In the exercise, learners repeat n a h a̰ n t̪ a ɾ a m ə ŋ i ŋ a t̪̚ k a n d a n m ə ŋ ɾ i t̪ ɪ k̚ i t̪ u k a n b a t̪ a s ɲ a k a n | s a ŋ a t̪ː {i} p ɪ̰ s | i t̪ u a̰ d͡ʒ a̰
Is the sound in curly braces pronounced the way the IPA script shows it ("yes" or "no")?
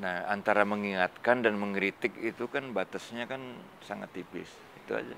yes